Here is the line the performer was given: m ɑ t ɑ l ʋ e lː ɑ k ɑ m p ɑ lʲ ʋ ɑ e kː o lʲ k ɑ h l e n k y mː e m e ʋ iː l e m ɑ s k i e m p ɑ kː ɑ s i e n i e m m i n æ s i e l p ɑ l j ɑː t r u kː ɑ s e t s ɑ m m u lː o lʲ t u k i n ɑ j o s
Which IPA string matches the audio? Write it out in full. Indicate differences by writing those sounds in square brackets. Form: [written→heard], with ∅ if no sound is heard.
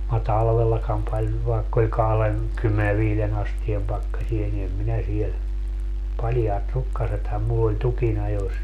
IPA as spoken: m ɑ t ɑ l ʋ e lː ɑ k ɑ m p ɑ lʲ ʋ ɑ e kː o lʲ k ɑ h l e n k y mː e [m→n] e ʋ iː l e [m→n] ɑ s [k→t] i e m p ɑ kː ɑ s i e n i e m m i n æ s i e l p ɑ l j ɑː t r u kː ɑ s e t [s→h] ɑ m m u lː o lʲ t u k i n ɑ j o s